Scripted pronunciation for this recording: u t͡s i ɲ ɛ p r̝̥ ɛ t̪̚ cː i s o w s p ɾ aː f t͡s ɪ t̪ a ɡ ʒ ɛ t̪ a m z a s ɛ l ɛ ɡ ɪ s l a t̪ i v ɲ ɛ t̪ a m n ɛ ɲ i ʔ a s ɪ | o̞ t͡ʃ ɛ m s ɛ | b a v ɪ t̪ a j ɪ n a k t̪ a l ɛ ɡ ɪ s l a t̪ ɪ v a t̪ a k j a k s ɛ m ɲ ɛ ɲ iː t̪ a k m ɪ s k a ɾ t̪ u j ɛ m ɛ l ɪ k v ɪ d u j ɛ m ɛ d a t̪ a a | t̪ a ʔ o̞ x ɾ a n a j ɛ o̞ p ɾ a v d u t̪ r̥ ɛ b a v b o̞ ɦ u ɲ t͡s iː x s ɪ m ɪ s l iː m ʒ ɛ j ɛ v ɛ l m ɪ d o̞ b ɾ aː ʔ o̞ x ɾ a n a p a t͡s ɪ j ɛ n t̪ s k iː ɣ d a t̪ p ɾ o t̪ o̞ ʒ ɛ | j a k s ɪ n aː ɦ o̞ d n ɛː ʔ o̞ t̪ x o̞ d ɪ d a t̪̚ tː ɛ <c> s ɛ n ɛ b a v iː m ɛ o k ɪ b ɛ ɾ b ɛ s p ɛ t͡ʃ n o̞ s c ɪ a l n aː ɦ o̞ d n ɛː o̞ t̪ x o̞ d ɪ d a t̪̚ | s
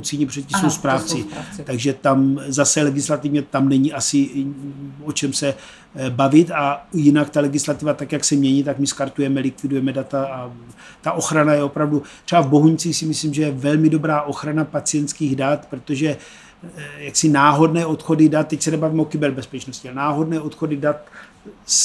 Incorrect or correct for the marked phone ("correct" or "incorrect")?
correct